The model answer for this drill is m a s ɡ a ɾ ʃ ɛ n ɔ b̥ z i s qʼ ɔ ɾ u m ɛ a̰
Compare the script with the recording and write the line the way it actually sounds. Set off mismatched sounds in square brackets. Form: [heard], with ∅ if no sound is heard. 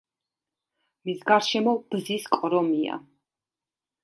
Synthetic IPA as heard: m [i] s ɡ a ɾ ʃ ɛ [m] ɔ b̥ z i s [kʼ] ɔ ɾ [ɔ] m [i] a̰